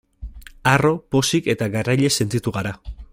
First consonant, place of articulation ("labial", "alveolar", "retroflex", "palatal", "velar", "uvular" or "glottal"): alveolar